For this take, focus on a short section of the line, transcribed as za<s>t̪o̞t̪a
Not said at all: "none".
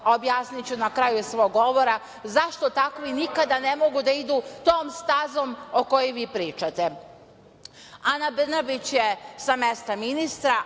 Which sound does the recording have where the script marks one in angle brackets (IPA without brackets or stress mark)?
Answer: ʃ